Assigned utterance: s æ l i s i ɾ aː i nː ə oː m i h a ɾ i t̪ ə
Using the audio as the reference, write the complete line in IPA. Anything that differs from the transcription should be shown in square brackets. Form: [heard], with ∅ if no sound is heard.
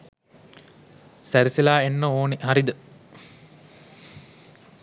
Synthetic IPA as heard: s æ [ɾ] i s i [l] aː [e] nː ə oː [n] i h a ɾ i [d̪] ə